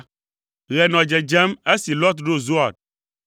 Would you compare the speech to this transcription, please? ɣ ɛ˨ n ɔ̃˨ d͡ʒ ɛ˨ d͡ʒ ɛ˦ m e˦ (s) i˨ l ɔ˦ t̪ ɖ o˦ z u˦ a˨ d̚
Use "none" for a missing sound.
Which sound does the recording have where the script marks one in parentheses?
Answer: s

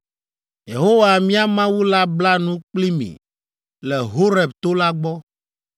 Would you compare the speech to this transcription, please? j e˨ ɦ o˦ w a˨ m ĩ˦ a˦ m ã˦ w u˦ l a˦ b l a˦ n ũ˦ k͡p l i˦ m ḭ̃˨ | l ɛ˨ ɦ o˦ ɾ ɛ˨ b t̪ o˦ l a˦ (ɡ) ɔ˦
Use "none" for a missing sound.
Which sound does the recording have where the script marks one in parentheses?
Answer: ɡ͡b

